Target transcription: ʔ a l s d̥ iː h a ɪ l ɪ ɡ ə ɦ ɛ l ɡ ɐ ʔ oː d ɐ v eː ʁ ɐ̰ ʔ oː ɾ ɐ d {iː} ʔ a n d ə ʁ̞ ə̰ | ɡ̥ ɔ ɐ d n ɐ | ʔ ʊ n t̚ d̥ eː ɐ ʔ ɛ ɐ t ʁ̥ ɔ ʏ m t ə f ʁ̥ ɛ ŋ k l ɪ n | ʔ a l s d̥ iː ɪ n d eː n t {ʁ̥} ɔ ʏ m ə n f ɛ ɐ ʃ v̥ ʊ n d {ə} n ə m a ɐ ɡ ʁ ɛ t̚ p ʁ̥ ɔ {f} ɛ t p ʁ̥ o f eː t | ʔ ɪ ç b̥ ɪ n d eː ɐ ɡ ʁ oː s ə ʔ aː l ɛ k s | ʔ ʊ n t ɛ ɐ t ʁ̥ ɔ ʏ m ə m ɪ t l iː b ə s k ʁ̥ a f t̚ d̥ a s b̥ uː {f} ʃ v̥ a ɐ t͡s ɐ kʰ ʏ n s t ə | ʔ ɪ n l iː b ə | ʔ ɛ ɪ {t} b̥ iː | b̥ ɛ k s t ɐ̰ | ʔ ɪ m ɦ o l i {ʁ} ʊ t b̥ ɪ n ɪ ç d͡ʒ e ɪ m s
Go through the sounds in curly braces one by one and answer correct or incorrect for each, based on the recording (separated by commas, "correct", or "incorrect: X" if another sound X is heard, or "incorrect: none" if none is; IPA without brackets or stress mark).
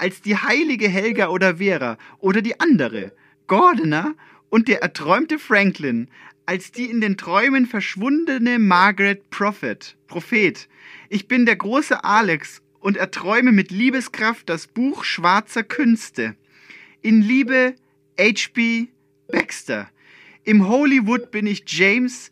correct, correct, correct, correct, incorrect: x, incorrect: t͡ʃ, incorrect: v